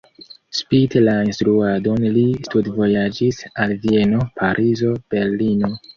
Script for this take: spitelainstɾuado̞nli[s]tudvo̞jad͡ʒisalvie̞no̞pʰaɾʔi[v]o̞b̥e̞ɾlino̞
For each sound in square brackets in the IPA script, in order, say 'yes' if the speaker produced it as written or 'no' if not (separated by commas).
yes, no